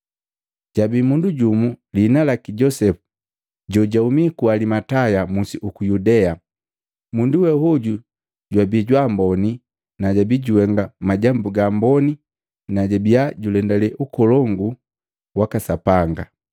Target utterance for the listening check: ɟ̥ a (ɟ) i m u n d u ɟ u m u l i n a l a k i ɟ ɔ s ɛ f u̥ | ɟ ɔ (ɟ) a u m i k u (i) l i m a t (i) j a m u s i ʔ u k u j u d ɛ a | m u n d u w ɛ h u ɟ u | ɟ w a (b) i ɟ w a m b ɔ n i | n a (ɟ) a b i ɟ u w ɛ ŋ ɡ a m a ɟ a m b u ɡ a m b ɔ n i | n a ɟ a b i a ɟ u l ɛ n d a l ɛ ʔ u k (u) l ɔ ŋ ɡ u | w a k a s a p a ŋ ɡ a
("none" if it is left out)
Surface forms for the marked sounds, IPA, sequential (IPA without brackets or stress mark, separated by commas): b, ɟ, a, a, b, ɟ, ɔ